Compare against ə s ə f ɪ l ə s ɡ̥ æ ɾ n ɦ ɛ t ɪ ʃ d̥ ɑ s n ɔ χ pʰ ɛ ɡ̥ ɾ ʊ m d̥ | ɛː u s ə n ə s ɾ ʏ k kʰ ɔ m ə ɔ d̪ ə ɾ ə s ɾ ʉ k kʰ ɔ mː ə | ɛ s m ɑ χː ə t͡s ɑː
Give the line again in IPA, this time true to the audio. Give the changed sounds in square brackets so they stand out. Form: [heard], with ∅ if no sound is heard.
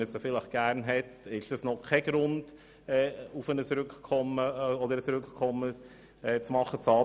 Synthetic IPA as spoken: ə s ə f ɪ l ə [χ] ɡ̥ æ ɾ n ɦ ɛ t ɪ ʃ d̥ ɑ s n ɔ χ [kʰ] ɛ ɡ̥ ɾ ʊ [n] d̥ | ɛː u [f] ə n ə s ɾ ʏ k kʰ ɔ m ə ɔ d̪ ə ɾ ə s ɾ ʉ k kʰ ɔ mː ə | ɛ [t͡s] m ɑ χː ə t͡s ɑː